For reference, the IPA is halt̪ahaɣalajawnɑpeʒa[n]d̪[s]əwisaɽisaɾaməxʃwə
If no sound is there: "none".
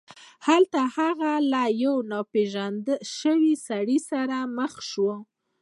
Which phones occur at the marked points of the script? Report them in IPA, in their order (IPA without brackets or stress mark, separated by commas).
n, ʃ